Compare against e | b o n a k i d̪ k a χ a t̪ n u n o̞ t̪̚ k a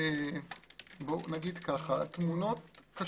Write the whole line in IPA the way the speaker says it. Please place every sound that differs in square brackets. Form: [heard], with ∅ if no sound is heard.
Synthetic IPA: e | b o n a [ɡ] i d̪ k a χ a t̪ [m] u n o̞ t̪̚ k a